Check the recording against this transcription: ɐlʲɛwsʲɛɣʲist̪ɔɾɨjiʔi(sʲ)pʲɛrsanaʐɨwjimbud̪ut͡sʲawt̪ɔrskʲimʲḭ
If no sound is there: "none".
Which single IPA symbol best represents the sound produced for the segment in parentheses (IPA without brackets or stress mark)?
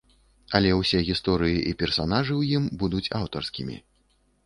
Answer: none